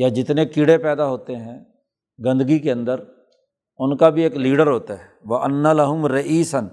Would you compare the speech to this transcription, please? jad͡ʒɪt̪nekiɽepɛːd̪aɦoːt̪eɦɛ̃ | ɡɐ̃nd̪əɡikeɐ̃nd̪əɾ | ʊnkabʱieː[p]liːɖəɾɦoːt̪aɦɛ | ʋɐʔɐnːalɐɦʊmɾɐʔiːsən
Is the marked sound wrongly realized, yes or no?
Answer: yes